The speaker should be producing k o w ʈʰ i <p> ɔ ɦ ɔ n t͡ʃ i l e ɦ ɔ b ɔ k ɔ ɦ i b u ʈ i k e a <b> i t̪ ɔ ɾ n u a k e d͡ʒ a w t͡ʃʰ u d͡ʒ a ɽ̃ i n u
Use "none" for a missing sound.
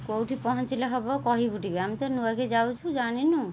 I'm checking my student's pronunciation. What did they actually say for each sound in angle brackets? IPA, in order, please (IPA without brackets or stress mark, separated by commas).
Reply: p, m